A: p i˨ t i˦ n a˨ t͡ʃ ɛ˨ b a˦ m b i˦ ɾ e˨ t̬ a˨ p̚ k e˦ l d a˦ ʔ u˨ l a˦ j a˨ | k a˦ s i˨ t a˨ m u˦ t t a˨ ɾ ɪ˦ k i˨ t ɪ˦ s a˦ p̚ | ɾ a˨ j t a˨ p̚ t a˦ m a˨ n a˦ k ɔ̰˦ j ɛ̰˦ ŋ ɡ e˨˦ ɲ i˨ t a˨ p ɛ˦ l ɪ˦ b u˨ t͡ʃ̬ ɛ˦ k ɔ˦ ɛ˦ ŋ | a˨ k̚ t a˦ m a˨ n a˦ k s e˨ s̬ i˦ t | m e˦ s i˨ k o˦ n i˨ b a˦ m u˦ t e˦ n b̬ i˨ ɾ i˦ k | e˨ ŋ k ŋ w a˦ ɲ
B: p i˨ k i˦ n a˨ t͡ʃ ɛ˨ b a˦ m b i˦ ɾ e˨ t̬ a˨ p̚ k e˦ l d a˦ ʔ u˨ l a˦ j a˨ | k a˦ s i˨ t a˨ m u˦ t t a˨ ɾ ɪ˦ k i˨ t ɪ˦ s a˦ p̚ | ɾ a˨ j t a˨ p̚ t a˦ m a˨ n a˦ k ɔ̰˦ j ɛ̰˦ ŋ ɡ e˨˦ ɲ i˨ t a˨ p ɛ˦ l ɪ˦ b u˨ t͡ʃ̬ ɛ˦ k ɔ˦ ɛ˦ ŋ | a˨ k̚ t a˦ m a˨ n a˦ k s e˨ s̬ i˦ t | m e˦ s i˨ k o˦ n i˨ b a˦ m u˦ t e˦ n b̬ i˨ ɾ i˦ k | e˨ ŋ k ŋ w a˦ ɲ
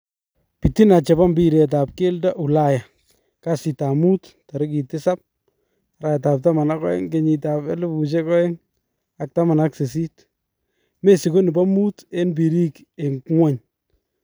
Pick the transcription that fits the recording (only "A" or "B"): A